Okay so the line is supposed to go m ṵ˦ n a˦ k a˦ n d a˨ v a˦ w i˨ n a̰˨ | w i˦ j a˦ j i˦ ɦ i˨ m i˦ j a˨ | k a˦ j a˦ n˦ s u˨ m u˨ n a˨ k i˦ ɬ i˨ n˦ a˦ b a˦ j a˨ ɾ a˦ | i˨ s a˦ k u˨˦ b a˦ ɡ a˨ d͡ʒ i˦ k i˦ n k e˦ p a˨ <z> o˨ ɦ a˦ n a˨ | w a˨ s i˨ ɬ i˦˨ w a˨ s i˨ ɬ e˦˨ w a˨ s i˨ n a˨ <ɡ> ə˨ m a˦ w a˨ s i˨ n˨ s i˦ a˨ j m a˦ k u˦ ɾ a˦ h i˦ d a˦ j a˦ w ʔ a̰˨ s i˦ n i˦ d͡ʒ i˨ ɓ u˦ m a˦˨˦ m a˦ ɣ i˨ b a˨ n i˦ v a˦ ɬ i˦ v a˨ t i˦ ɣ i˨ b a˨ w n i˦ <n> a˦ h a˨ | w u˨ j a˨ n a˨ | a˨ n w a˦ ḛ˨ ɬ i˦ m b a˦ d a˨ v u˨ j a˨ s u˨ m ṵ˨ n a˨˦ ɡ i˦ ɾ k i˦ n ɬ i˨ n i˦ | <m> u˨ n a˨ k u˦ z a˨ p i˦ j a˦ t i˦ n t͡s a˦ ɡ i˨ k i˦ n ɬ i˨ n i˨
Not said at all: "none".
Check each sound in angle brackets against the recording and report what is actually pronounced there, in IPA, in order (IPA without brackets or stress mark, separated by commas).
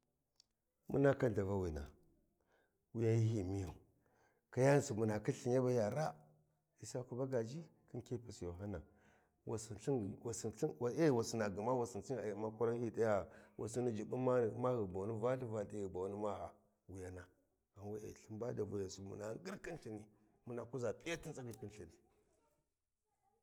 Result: s, ɡ, m, m